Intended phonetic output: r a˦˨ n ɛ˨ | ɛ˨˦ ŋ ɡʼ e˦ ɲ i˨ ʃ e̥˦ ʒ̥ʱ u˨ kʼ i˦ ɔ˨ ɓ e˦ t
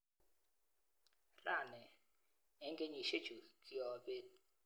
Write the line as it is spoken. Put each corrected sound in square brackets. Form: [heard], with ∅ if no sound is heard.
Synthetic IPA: r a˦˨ n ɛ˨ | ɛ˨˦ ŋ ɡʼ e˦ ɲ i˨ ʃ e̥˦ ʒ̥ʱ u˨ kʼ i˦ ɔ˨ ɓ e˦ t